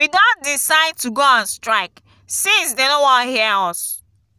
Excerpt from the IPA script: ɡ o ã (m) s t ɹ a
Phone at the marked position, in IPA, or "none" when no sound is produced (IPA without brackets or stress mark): n